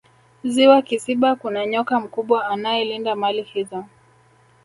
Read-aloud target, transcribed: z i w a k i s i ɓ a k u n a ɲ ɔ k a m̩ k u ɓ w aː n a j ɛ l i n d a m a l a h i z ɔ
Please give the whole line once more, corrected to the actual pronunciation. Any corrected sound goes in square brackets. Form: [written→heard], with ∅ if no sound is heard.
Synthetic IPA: z i w a k i s i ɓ a k u n a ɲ ɔ k a m̩ k u ɓ w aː n a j ɛ l i n d a m a l [a→i] h i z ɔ